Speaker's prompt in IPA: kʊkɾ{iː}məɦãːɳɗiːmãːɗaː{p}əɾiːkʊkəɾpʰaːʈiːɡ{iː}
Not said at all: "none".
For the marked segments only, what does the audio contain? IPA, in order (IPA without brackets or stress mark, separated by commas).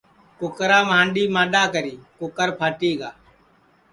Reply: aː, k, aː